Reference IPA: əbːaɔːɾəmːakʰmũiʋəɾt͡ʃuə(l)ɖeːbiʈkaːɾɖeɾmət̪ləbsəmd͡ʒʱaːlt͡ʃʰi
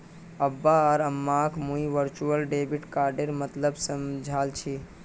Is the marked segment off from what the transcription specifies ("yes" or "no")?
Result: no